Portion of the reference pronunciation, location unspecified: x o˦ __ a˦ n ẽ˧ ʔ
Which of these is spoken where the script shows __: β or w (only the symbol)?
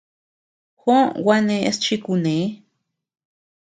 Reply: w